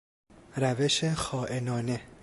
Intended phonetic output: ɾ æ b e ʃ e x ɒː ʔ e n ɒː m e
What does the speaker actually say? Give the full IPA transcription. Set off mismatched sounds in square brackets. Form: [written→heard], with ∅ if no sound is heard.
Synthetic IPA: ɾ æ [b→v] e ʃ e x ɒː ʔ e n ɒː [m→n] e